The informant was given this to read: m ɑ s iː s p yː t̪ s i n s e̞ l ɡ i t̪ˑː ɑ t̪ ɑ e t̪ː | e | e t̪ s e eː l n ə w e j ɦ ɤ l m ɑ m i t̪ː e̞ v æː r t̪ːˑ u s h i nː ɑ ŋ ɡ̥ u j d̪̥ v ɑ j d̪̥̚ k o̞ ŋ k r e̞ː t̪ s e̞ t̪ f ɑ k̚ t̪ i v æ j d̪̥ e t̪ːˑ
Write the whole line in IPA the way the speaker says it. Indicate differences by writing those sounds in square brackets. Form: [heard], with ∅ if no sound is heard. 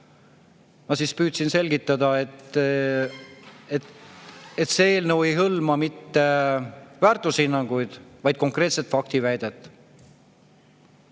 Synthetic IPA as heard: m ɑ s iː s p yː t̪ s i n s e̞ l ɡ i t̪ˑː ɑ [d̪] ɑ e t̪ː | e | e t̪ s e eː l n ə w e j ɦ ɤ l m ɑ m i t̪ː e̞ v æː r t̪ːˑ u s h i nː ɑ ŋ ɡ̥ u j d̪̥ v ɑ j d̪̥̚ k o̞ ŋ k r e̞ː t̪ s e̞ t̪ f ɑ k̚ t̪ i v æ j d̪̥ e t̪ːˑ

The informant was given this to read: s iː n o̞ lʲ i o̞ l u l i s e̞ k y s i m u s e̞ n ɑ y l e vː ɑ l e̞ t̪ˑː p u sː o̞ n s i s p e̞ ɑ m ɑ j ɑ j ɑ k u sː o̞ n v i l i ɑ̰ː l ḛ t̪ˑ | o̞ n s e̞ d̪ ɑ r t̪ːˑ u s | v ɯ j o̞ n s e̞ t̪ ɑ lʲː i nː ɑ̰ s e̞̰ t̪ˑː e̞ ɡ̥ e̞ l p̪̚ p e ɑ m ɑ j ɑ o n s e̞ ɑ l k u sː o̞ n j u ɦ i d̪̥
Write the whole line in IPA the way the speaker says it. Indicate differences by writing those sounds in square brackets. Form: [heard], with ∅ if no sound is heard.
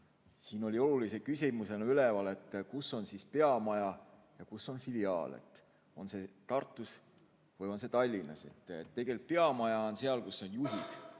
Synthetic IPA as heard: s iː n o̞ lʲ i o̞ l u l i s e̞ k y s i m u s e̞ n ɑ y l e [v] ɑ l e̞ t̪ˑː [k] u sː o̞ n s i s p e̞ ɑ m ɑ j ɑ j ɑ k u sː o̞ n [f] i l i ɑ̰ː l ḛ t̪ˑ | o̞ n s e̞ [t̪] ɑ r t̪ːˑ u s | v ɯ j o̞ n s e̞ t̪ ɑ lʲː i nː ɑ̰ s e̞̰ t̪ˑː e̞ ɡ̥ e̞ l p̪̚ p e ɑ m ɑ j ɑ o n s e̞ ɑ l k u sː o̞ n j u ɦ i d̪̥

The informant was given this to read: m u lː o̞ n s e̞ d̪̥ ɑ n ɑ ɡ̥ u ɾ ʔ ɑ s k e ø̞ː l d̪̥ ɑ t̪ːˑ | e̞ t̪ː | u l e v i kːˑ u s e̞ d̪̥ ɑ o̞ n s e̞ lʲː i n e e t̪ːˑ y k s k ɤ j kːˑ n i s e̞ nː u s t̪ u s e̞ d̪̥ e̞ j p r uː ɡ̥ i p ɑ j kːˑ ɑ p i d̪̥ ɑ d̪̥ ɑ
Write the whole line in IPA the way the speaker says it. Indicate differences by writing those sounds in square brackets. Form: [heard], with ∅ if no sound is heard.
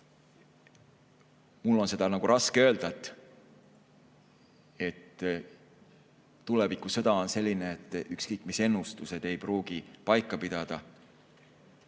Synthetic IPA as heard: m u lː o̞ n s e̞ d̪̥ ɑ n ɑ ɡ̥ u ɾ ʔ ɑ s k e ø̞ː l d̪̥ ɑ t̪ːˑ | e̞ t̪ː | u l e v i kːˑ u s e̞ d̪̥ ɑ o̞ n s e̞ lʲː i n e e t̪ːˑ y k s k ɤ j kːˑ [m] i s e̞ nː u s t̪ u s e̞ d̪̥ e̞ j p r uː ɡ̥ i p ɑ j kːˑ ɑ p i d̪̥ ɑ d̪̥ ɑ

